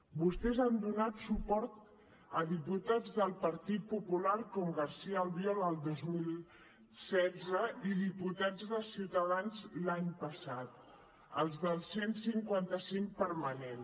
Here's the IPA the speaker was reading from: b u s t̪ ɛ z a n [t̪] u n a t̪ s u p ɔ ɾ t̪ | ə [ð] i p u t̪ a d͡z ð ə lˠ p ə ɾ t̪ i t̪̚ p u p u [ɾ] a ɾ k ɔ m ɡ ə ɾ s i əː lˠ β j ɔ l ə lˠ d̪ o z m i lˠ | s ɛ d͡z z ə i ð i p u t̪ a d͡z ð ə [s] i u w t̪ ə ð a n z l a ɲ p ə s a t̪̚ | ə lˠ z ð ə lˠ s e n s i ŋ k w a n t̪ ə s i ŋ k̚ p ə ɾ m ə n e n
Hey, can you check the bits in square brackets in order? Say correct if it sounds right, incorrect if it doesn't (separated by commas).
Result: incorrect, correct, incorrect, correct